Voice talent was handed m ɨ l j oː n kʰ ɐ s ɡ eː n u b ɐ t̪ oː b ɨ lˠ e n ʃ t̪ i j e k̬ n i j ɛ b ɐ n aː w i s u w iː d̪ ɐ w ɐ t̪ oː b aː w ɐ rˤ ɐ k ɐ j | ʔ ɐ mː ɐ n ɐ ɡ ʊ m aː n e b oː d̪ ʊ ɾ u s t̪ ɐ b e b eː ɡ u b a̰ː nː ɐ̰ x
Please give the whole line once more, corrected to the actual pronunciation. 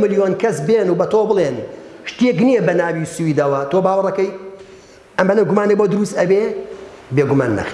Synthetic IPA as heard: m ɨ l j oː n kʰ ɐ s b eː n u b ɐ t̪ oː b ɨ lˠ e n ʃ t̪ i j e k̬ n i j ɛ b ɐ n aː w i s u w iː d̪ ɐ w ɐ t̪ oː b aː w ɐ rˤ ɐ k ɐ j | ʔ ɐ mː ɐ n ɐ ɡ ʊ m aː n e b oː d̪ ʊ ɾ u s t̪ ɐ b e b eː ɡ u m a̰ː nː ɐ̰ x